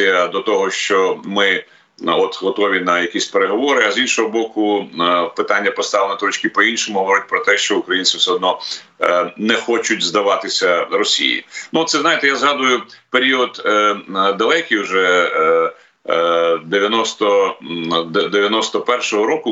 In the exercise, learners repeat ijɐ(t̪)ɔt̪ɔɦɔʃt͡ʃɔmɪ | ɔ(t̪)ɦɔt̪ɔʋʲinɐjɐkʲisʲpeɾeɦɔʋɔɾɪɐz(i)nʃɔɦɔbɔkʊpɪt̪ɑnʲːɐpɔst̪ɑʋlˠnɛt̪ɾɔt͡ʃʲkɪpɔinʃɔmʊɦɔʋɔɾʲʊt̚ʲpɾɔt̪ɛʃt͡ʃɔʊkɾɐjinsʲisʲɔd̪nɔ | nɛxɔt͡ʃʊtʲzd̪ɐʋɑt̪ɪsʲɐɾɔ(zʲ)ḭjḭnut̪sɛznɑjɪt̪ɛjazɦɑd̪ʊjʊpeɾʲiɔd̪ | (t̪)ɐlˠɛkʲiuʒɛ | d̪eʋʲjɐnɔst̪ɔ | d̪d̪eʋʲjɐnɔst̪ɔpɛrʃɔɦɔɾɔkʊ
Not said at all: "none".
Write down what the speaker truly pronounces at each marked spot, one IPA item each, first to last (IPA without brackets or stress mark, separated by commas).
d̪, t̪, i, sʲ, d̪